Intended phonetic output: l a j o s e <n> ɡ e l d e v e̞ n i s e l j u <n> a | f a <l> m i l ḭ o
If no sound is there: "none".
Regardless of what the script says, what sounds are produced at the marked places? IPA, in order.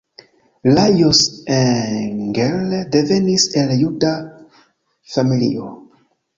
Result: ŋ, d, none

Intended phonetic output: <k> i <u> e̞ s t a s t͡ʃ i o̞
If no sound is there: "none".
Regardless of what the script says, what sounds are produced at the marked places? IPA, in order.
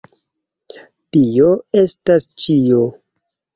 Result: t, o

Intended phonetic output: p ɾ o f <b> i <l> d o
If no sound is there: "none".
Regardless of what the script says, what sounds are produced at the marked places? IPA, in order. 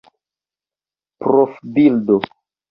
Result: b, l

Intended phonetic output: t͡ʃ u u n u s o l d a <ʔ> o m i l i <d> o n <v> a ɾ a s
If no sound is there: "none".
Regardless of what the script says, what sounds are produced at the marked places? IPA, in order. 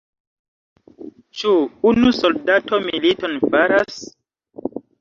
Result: t, t, f

